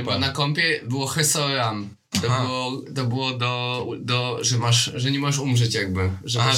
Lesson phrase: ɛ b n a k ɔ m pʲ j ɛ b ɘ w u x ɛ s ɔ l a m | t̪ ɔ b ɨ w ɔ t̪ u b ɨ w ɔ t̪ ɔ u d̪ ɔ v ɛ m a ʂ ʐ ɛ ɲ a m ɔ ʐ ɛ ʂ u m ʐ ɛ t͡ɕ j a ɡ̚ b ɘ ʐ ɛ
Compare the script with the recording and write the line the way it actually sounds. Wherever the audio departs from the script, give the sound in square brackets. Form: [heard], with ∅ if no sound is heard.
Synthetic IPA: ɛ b n a k ɔ m pʲ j ɛ b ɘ w [ɔ] x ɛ s ɔ [ɾ] a m | t̪ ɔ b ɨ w ɔ t̪ [ɔ] b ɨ w ɔ [d̪] ɔ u d̪ ɔ [ʐ] ɛ m a ʂ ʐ ɛ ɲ [ɛ] m ɔ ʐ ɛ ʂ u m ʐ ɛ t͡ɕ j a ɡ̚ b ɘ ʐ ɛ